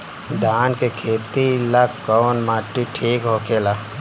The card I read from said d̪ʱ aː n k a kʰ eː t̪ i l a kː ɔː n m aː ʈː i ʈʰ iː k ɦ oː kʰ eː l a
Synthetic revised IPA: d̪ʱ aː n k e kʰ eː t̪ i l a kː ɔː n m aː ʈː i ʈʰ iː k ɦ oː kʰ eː l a

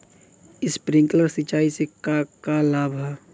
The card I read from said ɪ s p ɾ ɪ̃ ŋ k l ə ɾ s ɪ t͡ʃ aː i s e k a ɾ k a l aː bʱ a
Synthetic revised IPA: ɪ s p ɾ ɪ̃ ŋ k l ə ɾ s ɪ t͡ʃ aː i s e k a k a l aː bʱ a

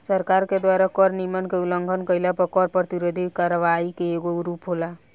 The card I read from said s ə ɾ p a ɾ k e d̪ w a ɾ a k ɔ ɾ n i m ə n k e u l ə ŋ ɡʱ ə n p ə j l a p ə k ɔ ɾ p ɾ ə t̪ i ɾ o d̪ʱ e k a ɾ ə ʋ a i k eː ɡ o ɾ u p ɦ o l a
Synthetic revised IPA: s ə ɾ k a ɾ k e d̪ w a ɾ a k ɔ ɾ n i m ə n k e u l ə ŋ ɡʱ ə n k ə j l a p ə k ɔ ɾ p ɾ ə t̪ i ɾ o d̪ʱ i k a ɾ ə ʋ a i k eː ɡ o ɾ u p ɦ o l a

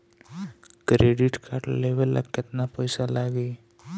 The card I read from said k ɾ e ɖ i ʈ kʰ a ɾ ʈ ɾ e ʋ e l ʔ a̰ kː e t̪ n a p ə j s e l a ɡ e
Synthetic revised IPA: k ɾ e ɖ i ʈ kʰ a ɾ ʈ l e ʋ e l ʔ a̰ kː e t̪ n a p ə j s a l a ɡ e

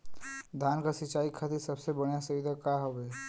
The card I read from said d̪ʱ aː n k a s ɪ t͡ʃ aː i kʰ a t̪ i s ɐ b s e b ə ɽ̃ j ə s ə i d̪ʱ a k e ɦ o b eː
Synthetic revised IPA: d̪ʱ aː n k a s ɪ t͡ʃ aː i kʰ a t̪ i s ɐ b s e b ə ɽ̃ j a s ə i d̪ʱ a k a ɦ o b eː

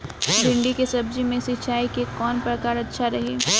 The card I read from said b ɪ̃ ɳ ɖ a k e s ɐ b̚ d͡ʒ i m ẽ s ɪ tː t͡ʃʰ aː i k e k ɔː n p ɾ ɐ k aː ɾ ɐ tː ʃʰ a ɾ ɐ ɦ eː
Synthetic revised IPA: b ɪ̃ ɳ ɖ i k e s ɐ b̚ d͡ʒ i m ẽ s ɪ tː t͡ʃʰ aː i k e k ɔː n p ɾ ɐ k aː ɾ ɐ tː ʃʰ a ɾ ɐ ɦ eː

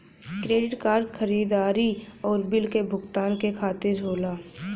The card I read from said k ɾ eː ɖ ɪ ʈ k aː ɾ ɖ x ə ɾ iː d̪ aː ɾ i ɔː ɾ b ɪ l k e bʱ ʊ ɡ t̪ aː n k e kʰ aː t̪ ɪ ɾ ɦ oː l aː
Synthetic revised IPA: k ɾ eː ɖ ɪ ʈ k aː ɾ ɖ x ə ɾ iː d̪ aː ɾ i ɔː ɾ b ɪ l k e bʱ ʊ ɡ t̪ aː n k e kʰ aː t̪ ɪ ɾ ɦ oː l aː

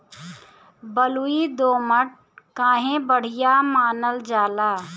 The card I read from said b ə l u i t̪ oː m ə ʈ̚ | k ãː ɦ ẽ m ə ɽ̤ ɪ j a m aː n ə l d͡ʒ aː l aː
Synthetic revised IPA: b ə l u i d̪ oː m ə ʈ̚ | k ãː ɦ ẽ b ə ɽ̤ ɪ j a m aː n ə l d͡ʒ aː l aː

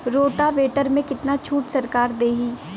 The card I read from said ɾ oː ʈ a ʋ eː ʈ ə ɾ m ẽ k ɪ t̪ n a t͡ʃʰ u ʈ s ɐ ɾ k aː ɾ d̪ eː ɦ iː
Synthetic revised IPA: ɾ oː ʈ a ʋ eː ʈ ə ɾ m ẽ k ɪ t̪ n a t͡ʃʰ uː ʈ s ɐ ɾ k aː ɾ d̪ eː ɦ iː

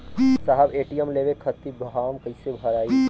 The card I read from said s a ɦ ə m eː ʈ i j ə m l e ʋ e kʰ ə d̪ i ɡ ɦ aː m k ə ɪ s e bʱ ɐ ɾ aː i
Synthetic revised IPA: s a ɦ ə b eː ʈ i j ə m l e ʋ e kʰ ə t̪ i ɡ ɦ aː m k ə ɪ s e bʱ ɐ ɾ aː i

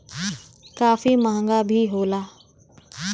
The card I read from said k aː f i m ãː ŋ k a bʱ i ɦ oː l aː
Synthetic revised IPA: k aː f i m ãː ŋ ɡ a bʱ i ɦ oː l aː

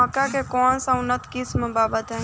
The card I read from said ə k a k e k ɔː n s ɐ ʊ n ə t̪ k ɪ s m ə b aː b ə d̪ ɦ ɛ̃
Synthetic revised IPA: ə k a k e k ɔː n s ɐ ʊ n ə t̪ k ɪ s m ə b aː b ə t̪ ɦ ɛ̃

